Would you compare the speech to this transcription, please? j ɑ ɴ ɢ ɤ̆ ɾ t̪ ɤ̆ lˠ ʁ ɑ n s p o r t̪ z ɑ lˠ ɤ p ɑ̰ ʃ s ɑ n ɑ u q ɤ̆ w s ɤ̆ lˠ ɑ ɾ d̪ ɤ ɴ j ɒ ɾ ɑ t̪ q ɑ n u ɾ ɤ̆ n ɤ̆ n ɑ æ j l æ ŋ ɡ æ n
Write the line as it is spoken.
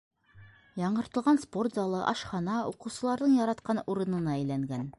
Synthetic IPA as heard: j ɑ ɴ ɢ ɤ̆ ɾ t̪ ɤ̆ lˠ ʁ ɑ n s p o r t̪ z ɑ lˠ ɤ ʔ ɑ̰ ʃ χ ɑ n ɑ u q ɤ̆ w s ɤ̆ lˠ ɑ ɾ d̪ ɤ ɴ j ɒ ɾ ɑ t̪ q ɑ n u ɾ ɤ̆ n ɤ̆ n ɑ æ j l æ ŋ ɡ æ n